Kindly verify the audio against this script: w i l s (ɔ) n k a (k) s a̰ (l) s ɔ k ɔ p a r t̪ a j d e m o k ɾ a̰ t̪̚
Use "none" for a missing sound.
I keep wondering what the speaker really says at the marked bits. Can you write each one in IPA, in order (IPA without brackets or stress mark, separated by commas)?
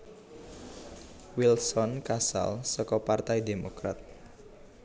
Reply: ɔ, none, l